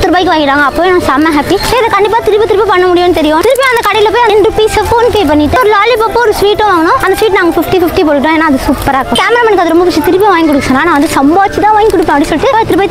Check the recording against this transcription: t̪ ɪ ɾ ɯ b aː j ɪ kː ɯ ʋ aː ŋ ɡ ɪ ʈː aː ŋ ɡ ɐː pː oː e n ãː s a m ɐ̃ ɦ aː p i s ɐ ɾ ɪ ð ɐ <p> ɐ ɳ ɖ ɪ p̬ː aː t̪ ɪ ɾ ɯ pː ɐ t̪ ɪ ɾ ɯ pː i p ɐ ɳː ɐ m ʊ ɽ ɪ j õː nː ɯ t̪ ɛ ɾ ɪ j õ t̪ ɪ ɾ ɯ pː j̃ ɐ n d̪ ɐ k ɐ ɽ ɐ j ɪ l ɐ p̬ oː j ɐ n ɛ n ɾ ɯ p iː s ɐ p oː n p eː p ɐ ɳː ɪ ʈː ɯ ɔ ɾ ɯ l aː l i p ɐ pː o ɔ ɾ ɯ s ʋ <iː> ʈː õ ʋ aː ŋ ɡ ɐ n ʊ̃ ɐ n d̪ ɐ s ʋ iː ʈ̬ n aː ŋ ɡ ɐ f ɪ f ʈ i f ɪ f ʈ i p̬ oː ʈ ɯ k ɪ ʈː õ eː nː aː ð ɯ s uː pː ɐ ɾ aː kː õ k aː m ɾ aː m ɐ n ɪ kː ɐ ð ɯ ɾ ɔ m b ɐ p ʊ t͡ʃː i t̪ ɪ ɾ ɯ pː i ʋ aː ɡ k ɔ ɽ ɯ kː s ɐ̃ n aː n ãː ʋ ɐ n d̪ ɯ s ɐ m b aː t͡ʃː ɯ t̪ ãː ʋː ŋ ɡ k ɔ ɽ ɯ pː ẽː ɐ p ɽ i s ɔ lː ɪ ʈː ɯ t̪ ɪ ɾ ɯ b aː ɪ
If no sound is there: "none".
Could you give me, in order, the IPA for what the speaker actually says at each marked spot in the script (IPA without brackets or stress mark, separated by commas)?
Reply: k, iː